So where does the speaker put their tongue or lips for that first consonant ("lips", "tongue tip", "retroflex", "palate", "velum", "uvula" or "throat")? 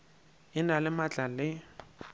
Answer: tongue tip